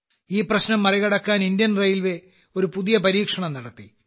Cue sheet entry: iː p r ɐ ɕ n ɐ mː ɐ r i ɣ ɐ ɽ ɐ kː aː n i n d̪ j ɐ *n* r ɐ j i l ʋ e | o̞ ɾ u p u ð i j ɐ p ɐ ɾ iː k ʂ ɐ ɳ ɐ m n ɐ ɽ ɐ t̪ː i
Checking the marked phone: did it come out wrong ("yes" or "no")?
no